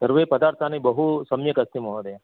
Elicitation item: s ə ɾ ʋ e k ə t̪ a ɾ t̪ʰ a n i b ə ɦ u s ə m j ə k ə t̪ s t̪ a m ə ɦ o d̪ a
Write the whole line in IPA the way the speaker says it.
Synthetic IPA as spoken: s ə ɾ ʋ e p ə d̪ a ɾ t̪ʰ a n i b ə ɦ u s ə m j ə k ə s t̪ i m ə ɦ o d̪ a